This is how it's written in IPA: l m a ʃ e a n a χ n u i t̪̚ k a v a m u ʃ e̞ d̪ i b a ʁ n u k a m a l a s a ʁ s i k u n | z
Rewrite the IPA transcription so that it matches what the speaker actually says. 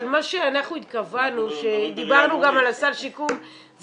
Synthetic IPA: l m a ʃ e a n a χ n u i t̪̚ k a v a n u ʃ e̞ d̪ i b a ʁ n u ɡ a m a l a s a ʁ ʃ i k u m | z